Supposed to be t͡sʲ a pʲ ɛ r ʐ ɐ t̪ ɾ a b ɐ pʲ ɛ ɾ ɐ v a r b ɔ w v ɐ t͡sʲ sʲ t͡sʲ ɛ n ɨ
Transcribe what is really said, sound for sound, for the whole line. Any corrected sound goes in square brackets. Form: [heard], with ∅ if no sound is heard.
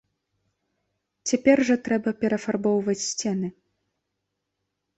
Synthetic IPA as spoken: t͡sʲ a pʲ ɛ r ʐ ɐ t̪ ɾ [ɛ] b ɐ pʲ ɛ ɾ ɐ [f] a r b ɔ w v ɐ t͡sʲ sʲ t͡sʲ ɛ n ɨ